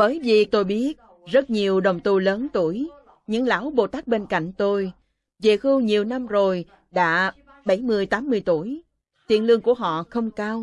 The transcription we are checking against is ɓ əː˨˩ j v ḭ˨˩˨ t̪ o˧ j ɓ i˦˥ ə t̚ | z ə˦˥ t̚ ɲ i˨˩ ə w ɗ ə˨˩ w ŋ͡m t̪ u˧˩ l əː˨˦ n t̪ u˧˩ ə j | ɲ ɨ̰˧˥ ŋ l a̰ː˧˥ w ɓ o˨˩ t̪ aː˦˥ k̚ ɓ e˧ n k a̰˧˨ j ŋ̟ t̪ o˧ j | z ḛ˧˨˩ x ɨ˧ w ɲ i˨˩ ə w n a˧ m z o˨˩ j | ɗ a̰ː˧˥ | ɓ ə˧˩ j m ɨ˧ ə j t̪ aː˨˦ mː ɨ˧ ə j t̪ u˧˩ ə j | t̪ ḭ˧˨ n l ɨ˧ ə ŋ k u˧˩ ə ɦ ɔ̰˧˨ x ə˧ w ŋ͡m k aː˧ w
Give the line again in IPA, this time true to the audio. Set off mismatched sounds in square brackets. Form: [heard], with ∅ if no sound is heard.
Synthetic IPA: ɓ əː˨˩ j v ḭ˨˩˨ t̪ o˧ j ɓ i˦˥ ə t̚ | z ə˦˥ t̚ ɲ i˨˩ ə w ɗ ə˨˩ w ŋ͡m t̪ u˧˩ l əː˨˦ n t̪ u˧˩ ə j | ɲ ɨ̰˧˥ ŋ l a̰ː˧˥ w ɓ o˨˩ t̪ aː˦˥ k̚ ɓ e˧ n k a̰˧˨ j ŋ̟ t̪ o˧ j | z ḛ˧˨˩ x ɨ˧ w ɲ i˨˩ ə w n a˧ m z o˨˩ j | ɗ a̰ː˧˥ | ɓ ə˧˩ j m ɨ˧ ə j t̪ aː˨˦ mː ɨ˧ ə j t̪ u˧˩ ə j | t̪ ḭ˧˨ n l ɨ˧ ə ŋ k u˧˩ ə ɦ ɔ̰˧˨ x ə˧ w ŋ͡m k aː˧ w